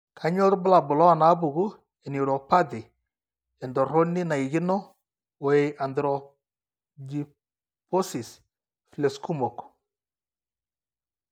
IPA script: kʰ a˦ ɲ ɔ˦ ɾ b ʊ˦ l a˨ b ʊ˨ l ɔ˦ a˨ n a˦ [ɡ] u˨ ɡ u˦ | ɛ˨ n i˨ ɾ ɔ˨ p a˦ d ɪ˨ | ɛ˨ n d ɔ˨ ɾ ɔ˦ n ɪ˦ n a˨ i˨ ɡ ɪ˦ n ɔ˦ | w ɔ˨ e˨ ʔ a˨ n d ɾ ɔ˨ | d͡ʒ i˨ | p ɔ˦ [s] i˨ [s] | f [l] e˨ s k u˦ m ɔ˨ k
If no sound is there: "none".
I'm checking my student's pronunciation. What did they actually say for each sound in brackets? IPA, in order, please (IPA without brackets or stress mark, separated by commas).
b, s, s, l